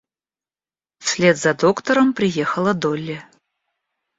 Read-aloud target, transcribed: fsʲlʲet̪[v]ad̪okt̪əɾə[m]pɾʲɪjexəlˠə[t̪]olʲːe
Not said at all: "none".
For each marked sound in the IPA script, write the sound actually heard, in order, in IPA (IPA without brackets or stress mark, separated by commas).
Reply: z, m, d̪